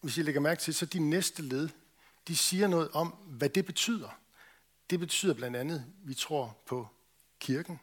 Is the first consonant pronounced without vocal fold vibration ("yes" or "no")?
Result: no